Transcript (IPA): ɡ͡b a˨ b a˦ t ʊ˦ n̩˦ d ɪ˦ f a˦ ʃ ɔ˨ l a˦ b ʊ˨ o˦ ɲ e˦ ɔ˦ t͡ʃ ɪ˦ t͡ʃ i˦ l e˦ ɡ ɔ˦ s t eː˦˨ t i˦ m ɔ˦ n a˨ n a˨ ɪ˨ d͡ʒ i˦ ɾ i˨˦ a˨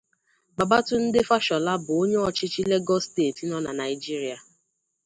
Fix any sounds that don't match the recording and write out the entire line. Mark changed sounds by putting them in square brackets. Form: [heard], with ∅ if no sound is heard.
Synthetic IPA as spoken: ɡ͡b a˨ b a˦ t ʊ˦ n̩˦ d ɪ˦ f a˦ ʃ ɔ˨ l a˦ b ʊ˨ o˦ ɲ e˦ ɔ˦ t͡ʃ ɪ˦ t͡ʃ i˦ l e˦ ɡ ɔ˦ s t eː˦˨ t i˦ [n] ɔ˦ n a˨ n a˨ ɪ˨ d͡ʒ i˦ ɾ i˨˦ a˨